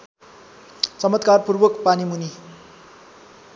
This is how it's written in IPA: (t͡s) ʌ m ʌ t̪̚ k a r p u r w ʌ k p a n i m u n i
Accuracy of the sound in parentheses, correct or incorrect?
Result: correct